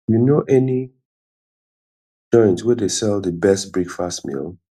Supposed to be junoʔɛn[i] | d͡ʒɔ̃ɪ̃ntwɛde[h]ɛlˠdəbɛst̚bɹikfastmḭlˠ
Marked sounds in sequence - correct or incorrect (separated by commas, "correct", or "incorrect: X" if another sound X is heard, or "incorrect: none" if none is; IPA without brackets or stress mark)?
correct, incorrect: s